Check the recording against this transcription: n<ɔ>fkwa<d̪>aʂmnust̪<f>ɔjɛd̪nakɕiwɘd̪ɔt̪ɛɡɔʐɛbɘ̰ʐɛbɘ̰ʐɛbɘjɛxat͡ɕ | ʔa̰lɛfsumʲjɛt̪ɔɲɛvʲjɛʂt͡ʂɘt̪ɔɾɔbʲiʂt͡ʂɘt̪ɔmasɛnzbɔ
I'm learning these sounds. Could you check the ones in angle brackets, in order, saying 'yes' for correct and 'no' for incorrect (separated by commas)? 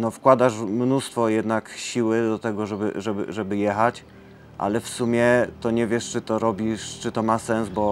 yes, yes, yes